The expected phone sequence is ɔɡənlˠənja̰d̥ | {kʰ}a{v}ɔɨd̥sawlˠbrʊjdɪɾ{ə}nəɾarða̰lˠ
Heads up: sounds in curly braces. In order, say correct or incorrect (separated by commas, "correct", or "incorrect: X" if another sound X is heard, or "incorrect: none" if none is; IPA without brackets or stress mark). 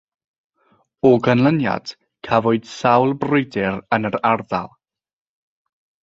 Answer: correct, correct, correct